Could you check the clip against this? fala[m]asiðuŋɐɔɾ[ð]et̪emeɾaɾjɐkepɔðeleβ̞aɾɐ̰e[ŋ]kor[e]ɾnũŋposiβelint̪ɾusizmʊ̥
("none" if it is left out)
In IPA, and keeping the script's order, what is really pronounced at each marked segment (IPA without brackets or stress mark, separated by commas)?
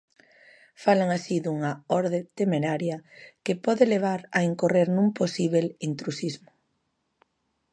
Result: ŋ, ð, ŋ, e